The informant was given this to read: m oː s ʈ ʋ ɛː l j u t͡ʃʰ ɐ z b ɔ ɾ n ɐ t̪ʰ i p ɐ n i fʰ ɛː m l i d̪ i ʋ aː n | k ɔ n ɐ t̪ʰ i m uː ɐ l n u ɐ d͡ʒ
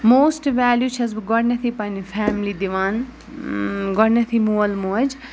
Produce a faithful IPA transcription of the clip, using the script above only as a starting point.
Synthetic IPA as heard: m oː s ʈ ʋ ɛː l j u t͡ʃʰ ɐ z ɡ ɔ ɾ n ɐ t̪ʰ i p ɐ n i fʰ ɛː m l i d̪ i ʋ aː n | ɡ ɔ n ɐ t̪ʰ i m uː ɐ l m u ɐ d͡ʒ